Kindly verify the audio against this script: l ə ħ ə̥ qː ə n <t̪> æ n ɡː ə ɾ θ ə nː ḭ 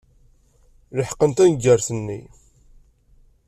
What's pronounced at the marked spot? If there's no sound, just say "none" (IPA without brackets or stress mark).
t̪